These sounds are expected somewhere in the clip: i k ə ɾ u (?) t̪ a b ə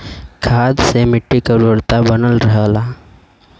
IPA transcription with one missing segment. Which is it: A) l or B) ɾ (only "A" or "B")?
B